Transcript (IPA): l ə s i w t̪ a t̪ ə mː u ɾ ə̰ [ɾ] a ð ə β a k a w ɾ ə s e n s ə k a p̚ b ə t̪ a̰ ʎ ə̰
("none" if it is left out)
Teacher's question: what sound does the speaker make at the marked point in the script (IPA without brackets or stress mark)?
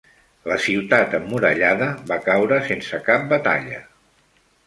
ʎ